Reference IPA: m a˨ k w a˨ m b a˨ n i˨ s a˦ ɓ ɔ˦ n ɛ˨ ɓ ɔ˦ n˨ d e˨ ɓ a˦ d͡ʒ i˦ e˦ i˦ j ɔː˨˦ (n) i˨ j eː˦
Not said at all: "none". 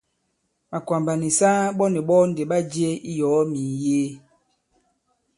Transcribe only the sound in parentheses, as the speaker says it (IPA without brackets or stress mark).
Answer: m